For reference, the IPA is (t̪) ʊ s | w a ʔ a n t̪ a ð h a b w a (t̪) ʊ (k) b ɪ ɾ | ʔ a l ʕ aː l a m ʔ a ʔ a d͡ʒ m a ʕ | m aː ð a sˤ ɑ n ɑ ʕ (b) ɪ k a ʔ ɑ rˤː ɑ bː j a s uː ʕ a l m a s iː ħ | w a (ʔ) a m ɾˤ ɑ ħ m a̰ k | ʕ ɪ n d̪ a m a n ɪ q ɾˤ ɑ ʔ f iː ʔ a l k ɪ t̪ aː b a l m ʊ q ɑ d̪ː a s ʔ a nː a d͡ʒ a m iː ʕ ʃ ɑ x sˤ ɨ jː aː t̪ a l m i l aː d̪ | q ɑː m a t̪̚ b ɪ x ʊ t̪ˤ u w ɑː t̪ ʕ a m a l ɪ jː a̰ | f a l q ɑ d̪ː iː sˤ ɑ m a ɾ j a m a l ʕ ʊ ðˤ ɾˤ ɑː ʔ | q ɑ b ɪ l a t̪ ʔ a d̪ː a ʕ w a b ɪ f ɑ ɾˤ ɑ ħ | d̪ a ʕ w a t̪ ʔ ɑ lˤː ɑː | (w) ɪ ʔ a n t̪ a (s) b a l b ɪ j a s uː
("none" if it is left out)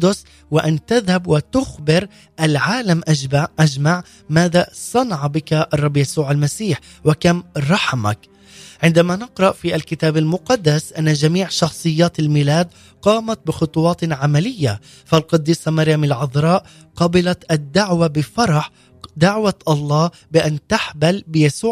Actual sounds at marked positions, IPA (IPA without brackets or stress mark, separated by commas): d̪, t̪, x, b, k, b, ħ